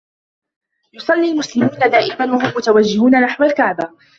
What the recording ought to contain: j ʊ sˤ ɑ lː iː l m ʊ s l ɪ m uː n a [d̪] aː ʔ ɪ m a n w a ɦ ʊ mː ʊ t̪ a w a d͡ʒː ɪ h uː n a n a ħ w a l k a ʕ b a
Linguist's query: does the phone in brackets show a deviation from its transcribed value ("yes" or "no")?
no